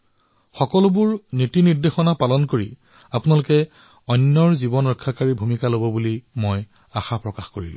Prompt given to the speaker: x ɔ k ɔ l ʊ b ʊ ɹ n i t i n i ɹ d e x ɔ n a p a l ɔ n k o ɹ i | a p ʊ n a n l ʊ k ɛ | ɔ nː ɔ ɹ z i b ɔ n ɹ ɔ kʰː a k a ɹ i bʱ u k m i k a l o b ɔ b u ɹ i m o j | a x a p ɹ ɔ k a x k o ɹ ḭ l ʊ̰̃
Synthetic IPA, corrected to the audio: x ɔ k ɔ l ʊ b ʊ ɹ n i t i n i ɹ d e x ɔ n a p a l ɔ n k o ɹ i | a p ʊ n a l ʊ k ɛ | ɔ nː ɔ ɹ z i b ɔ n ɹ ɔ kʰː a k a ɹ i bʱ u m i k a l o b ɔ b u l i m o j | a x a p ɹ ɔ k a x k o ɹ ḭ l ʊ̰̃